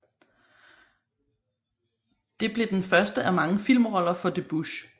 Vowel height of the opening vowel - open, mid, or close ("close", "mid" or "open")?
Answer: mid